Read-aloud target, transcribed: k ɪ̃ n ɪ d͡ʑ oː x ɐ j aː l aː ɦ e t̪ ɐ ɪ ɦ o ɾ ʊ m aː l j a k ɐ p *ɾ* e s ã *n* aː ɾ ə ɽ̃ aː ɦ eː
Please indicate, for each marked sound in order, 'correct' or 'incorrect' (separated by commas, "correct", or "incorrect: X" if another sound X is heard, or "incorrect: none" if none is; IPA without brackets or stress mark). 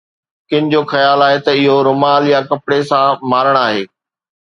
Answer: incorrect: ɽ, incorrect: m